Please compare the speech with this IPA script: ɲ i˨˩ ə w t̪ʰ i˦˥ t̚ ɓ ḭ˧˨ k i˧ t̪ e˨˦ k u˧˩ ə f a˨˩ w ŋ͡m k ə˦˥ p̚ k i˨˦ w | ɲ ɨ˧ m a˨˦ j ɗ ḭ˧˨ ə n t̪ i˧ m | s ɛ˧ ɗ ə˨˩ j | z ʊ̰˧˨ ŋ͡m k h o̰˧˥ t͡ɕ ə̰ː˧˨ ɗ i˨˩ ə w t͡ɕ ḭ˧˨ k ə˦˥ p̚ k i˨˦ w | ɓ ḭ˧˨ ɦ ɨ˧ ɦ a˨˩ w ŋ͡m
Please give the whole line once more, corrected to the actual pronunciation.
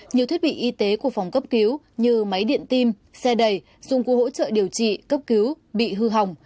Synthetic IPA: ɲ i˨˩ ə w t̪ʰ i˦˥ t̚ ɓ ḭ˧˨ ʔ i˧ t̪ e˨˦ k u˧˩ ə f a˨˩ w ŋ͡m k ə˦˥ p̚ k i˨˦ w | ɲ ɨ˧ m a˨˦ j ɗ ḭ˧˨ ə n t̪ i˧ m | s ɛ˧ ɗ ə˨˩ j | z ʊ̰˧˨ ŋ͡m k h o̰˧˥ t͡ɕ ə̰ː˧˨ ɗ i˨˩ ə w t͡ɕ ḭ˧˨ k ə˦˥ p̚ k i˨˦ w | ɓ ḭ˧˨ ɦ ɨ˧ ɦ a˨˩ w ŋ͡m